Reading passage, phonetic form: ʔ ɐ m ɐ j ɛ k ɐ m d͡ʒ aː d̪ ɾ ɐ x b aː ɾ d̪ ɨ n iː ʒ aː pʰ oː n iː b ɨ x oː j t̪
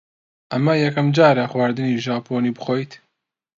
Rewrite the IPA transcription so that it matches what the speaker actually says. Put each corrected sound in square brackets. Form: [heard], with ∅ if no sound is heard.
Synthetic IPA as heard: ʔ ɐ m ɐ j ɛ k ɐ m d͡ʒ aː [∅] ɾ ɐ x [w] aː ɾ d̪ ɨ n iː ʒ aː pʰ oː n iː b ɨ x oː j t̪